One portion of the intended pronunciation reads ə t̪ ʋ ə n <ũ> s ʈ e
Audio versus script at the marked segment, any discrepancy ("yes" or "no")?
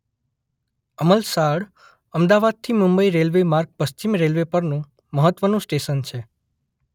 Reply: no